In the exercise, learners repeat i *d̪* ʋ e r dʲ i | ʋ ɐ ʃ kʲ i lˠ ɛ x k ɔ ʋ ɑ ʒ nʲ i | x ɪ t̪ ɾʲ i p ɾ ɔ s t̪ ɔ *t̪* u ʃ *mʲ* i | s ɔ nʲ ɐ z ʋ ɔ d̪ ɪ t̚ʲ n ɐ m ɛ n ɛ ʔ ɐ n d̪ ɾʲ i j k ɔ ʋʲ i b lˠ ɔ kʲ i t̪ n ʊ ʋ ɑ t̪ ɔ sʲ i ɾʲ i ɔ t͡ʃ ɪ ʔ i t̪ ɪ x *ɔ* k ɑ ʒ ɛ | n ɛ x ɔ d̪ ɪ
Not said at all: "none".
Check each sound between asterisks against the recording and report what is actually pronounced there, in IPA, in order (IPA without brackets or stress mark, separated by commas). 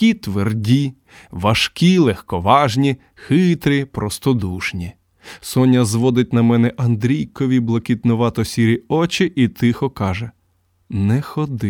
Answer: t̪, d̪, nʲ, ɔ